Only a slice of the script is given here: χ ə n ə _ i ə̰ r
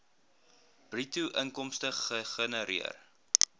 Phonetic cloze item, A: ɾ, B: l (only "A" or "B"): A